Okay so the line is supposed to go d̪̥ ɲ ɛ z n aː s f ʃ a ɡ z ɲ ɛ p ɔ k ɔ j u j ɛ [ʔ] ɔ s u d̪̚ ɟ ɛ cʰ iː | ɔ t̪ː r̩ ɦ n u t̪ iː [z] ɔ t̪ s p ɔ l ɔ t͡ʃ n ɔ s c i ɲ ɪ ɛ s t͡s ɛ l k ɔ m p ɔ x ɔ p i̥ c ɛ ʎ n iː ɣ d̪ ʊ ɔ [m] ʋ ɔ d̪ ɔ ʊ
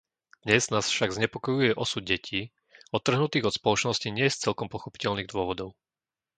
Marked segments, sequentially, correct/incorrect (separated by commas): correct, incorrect, incorrect